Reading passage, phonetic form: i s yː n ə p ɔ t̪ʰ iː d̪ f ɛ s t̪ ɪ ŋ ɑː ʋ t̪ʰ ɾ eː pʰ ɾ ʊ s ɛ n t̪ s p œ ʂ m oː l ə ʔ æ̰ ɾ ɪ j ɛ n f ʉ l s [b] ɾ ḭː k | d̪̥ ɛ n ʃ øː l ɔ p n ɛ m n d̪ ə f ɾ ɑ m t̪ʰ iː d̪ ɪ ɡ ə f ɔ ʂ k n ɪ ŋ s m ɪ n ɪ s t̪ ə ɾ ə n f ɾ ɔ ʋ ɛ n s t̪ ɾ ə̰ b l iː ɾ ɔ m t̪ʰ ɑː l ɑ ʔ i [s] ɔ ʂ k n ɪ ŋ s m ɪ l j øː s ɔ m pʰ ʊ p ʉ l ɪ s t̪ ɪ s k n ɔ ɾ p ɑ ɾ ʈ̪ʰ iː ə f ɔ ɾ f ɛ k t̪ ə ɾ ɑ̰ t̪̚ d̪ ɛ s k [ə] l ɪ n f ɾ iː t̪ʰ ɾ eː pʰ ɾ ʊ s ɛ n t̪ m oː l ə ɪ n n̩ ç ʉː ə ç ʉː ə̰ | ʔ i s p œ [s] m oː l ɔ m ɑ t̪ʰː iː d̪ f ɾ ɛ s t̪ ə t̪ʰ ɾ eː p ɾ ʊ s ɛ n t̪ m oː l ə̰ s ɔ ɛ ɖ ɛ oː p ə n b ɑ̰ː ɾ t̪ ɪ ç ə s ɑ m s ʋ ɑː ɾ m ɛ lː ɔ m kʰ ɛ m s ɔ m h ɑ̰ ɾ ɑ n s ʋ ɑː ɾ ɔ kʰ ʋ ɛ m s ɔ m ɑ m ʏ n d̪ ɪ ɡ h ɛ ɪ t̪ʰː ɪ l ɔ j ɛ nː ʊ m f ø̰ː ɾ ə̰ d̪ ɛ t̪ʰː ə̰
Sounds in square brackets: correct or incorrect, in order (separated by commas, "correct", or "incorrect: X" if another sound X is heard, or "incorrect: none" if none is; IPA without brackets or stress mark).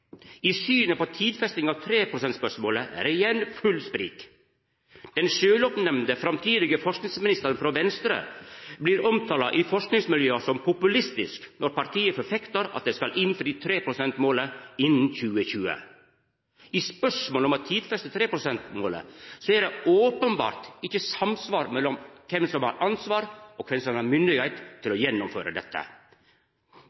incorrect: p, incorrect: f, incorrect: ɑ, incorrect: ʂ